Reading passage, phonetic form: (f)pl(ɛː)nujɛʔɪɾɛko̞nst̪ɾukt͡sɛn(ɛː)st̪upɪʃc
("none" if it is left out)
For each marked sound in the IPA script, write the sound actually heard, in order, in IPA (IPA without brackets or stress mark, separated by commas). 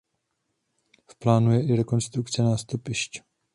f, aː, aː